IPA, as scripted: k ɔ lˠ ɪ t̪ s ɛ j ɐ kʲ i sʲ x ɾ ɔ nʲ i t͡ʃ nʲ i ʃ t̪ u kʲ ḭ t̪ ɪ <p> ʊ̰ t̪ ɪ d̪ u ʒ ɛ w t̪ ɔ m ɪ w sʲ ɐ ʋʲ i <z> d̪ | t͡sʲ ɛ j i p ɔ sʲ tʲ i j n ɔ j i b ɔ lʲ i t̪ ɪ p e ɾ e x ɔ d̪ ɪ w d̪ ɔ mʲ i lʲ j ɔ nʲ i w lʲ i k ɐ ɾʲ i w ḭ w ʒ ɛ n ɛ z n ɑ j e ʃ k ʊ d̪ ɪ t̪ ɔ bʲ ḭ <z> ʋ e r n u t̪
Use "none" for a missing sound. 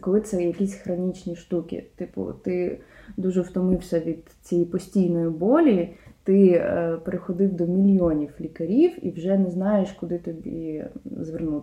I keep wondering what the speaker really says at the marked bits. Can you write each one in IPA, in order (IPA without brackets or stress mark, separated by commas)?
p, none, z